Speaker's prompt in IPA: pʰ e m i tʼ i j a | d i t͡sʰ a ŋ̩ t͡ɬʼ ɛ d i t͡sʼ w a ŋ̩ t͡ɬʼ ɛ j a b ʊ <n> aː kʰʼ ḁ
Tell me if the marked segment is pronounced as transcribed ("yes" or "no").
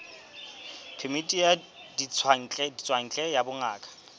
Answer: no